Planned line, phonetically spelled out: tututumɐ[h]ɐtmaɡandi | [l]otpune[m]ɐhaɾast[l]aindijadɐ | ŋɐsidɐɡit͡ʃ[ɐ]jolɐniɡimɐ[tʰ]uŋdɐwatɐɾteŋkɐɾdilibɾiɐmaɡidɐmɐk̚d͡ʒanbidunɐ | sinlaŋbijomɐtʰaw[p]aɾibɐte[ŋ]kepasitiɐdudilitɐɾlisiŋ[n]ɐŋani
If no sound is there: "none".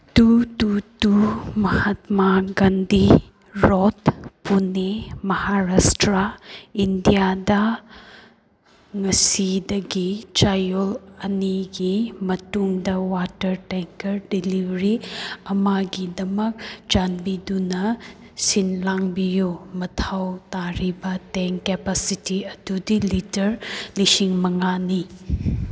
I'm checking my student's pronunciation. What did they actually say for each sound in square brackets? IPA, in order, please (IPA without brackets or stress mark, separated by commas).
h, ɾ, m, ɾ, a, t, t, ŋ, m